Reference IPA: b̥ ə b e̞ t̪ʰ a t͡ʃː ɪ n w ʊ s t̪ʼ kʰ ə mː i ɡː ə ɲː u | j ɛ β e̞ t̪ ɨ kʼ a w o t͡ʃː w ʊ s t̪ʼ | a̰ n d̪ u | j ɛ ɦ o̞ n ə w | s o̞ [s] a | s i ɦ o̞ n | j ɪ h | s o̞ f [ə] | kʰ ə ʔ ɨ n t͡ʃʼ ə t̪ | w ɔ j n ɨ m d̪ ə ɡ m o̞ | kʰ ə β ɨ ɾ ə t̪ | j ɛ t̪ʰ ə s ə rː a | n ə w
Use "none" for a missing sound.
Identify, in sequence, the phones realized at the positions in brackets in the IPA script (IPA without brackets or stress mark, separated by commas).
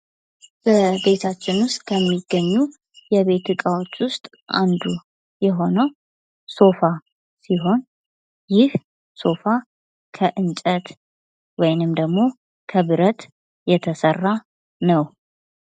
f, a